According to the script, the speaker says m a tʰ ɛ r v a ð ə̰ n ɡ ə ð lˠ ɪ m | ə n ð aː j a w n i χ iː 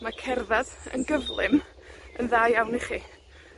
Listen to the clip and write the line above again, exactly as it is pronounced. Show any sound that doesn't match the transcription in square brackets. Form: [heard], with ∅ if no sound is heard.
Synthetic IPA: m a [kʰ] ɛ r [ð] a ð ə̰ n ɡ ə [v] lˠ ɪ m | ə n ð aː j a w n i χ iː